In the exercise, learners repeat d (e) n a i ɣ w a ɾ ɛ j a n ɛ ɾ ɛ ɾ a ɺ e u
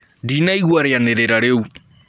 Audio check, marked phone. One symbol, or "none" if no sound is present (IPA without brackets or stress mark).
i